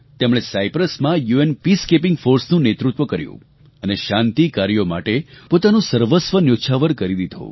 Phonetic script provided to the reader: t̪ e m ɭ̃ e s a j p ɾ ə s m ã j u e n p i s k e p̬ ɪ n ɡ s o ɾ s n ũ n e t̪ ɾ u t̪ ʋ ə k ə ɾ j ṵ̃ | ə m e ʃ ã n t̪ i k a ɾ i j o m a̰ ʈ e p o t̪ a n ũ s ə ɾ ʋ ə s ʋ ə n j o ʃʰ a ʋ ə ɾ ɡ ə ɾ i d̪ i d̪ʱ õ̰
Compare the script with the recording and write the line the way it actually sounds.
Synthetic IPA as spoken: t̪ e m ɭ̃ e s a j p ɾ ə s m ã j u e n p i s k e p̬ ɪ ŋ ɡ f o ɾ s n ũ n e t̪ ɾ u t̪ ʋ ə k ə ɾ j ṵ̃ | ə n e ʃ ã n t̪ i k a ɾ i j o m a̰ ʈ e p o t̪ a n ũ s ə ɾ ʋ ə s ʋ ə n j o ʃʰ a ʋ ə ɾ k ə ɾ i d̪ i d̪ʱ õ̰